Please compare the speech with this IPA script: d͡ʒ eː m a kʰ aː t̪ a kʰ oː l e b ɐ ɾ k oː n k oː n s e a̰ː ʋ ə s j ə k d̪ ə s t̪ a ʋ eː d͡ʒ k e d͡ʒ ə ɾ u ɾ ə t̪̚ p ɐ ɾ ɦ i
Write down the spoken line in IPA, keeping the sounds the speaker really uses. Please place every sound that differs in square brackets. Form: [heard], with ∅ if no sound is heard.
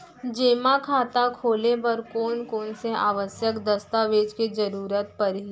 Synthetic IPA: d͡ʒ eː m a kʰ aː t̪ a kʰ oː l e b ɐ ɾ k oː n k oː n s e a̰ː ʋ ə s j ə k d̪ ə s t̪ a ʋ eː d͡ʒ k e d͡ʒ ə ɾ [uː] ɾ ə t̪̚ p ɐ ɾ ɦ i